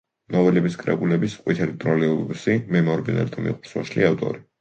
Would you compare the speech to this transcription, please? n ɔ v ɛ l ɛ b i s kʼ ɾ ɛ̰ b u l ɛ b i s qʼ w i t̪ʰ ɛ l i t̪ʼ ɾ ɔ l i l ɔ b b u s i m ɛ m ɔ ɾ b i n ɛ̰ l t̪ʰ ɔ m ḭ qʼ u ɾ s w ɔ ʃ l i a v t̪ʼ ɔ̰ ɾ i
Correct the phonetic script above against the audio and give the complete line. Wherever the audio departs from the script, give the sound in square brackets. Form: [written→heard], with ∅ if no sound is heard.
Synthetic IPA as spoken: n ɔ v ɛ l ɛ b i s kʼ ɾ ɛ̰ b u l ɛ b i s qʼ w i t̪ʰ ɛ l i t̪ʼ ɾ ɔ l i [l→∅] ɔ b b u s i m ɛ m ɔ ɾ b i n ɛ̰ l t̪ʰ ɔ m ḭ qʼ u ɾ s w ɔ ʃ l i a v t̪ʼ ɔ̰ ɾ i